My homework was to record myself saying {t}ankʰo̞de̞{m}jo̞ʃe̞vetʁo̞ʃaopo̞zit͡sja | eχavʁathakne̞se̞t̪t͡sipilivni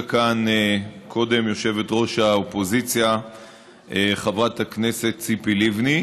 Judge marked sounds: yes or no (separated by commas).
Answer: no, yes